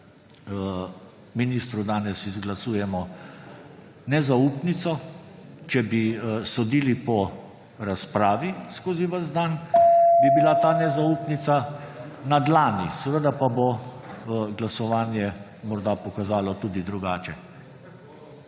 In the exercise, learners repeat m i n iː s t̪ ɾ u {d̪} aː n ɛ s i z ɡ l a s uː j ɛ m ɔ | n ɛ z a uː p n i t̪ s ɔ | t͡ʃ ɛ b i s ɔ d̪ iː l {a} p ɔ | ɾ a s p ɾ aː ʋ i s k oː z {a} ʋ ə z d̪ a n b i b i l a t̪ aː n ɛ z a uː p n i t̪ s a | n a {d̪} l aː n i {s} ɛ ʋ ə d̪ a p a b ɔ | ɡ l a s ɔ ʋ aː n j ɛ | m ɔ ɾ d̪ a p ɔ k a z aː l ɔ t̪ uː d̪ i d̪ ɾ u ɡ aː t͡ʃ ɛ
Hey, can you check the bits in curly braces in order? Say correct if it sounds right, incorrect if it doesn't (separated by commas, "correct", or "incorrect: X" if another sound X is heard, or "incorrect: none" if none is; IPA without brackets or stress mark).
correct, incorrect: i, incorrect: i, correct, correct